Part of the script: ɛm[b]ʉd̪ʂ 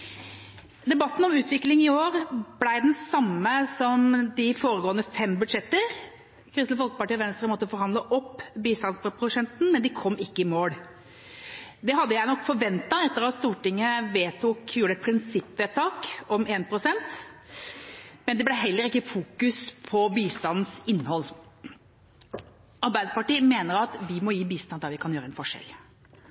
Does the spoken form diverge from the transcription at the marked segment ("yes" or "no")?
no